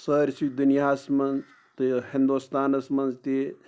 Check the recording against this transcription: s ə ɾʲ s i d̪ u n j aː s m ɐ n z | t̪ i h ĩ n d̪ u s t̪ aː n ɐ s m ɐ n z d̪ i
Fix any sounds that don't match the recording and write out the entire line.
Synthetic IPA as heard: s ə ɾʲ s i d̪ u n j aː s m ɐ n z | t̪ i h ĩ n d̪ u s t̪ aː n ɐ s m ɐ n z t̪ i